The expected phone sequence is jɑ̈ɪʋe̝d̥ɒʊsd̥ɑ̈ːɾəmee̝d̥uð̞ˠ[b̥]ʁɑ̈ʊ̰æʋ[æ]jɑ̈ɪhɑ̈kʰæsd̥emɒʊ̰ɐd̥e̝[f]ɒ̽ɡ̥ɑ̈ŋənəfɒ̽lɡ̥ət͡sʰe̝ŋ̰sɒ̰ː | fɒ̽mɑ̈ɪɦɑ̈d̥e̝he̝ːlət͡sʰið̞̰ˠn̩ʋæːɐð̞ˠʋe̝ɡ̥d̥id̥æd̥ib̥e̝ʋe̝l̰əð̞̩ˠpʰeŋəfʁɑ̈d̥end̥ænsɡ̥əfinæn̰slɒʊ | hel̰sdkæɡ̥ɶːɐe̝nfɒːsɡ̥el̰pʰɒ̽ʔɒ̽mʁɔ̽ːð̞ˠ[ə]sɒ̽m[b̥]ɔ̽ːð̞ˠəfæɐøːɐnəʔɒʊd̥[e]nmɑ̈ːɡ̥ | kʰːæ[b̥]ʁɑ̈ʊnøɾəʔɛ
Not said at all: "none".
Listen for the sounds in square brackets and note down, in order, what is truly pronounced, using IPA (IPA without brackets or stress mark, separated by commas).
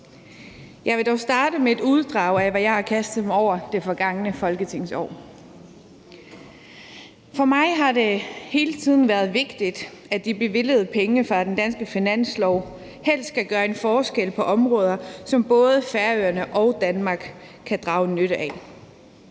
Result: d̥, æ, f, ɐ, b̥, æ, d̥